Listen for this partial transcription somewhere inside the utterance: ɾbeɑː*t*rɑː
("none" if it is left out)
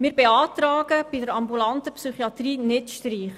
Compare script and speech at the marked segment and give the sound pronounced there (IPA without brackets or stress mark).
t